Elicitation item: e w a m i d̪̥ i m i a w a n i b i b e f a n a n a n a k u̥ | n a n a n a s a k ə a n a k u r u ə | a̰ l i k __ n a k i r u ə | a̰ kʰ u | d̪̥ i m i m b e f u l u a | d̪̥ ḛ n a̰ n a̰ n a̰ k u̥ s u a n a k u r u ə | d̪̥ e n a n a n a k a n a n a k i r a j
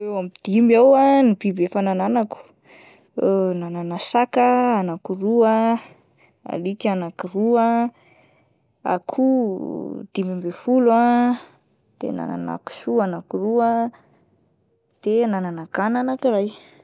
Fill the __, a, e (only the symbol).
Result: a